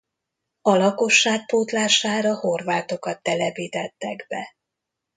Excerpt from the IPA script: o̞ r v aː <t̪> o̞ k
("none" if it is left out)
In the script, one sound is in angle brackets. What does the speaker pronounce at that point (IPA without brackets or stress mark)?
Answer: t̪